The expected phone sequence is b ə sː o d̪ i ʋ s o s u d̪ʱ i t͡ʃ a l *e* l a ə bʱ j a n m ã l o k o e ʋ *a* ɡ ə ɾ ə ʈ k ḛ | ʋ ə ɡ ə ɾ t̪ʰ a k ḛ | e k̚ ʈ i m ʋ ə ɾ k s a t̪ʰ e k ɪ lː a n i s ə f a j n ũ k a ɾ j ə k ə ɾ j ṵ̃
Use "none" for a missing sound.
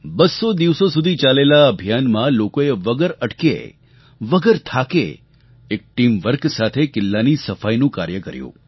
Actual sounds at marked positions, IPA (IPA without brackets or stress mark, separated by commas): e, ə